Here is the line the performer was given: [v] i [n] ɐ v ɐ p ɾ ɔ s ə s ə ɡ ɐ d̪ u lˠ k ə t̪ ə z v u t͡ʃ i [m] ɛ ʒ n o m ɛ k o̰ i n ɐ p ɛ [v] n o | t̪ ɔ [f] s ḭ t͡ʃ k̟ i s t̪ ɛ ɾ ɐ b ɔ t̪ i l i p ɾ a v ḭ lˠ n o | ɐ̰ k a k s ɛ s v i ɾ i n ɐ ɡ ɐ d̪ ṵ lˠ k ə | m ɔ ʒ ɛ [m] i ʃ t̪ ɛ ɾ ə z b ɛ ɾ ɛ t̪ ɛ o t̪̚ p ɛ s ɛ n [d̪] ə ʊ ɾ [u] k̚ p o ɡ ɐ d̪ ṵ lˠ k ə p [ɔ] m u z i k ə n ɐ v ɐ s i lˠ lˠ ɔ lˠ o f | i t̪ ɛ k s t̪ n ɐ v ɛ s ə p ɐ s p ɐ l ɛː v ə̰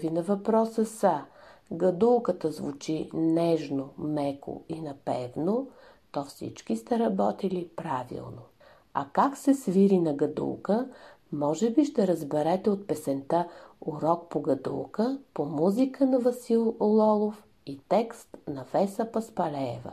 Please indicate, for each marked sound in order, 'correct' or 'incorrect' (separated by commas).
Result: correct, correct, incorrect, correct, correct, incorrect, incorrect, incorrect, incorrect